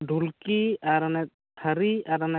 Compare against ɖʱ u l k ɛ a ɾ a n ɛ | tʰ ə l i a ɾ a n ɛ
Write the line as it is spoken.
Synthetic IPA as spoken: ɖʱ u l k i a ɾ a n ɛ | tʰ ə ɾ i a ɾ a n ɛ